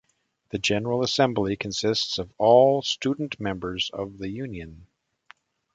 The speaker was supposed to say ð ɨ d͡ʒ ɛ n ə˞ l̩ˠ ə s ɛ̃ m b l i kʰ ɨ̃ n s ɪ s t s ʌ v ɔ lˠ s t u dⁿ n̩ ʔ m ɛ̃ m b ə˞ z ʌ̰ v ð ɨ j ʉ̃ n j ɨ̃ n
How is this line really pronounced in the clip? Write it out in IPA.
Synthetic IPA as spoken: ð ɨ d͡ʒ ɛ n ə˞ l̩ˠ ə s ɛ̃ m b l i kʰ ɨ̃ n s ɪ s t s ʌ v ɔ lˠ s t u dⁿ n̩ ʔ m ɛ̃ m b ə˞ z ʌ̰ v ð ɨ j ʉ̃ n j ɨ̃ n